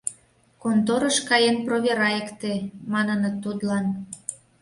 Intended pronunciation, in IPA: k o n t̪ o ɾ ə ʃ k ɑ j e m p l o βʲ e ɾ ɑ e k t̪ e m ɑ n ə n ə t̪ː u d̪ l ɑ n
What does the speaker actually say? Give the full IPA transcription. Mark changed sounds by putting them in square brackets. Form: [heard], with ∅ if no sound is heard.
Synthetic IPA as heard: k o n t̪ o ɾ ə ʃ k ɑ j e [n] p [r] o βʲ e ɾ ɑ e k t̪ e m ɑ n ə n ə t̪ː u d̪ l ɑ n